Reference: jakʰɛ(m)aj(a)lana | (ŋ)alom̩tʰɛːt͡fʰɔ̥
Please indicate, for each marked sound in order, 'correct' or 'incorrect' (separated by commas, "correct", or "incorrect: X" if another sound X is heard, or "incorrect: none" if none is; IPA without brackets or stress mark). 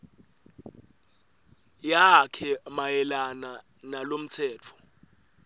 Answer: correct, incorrect: ɛ, incorrect: n